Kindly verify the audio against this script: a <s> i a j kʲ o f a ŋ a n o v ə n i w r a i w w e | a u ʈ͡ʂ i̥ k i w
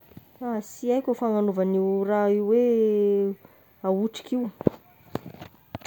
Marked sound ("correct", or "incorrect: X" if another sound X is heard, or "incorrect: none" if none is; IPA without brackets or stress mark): correct